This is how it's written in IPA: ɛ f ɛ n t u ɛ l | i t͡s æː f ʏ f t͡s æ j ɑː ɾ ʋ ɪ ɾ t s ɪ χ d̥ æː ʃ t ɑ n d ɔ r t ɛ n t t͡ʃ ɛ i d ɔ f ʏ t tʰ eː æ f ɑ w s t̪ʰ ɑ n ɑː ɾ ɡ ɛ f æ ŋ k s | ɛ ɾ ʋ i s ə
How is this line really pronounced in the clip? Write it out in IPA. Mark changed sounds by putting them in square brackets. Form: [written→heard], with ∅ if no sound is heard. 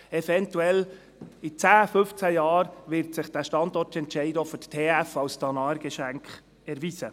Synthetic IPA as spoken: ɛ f ɛ n t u ɛ l | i t͡s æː f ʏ f t͡s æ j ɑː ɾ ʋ ɪ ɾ t s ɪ χ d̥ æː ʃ t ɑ n d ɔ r t ɛ n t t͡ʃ ɛ [i→ɪ] d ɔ f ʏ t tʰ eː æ f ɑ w s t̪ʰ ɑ n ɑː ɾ ɡ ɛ [f→ʃ] æ ŋ k [s→χ] | ɛ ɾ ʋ i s ə